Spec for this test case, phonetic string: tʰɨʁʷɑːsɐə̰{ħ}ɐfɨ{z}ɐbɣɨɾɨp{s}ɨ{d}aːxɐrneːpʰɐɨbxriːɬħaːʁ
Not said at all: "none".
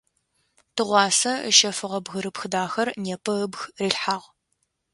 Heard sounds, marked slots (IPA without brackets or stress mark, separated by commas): ʃ, ʁ, x, d